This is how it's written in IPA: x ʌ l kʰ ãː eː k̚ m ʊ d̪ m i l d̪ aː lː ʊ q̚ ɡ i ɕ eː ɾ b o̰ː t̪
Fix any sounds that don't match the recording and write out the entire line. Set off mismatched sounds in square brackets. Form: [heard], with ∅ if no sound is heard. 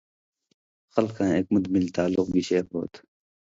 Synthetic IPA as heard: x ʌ l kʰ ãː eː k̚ m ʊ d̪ m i l [t̪] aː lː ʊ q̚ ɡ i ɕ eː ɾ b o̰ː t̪